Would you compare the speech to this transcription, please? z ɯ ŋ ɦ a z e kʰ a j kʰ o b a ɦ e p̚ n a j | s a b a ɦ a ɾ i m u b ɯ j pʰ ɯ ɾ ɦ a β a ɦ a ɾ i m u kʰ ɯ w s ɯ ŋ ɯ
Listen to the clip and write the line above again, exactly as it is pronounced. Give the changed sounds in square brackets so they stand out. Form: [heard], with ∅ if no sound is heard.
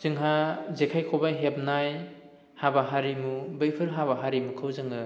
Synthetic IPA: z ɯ ŋ ɦ a z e kʰ a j kʰ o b a ɦ e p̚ n a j | [h] a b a ɦ a ɾ i m u b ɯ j pʰ ɯ ɾ ɦ a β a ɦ a ɾ i m u kʰ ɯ w [z] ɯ ŋ ɯ